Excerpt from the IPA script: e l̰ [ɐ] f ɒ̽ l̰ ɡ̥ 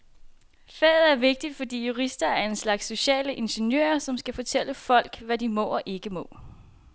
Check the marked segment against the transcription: incorrect: ə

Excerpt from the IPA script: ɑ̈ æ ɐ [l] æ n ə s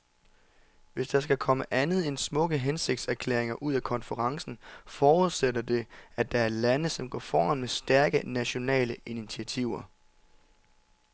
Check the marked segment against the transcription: correct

